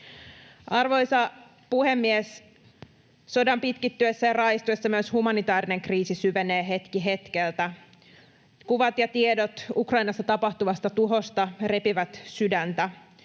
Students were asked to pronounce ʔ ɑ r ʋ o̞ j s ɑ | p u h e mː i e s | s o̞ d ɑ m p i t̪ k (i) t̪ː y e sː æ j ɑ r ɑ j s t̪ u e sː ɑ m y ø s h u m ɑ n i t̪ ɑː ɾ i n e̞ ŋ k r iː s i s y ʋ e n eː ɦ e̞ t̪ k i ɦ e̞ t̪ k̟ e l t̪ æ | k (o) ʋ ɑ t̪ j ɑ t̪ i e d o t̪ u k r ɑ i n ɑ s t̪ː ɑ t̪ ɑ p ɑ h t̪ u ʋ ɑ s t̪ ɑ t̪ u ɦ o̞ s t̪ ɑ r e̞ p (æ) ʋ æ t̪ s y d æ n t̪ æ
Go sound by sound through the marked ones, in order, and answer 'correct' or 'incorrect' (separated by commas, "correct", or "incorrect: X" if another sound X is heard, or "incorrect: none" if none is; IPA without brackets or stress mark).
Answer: correct, incorrect: u, incorrect: i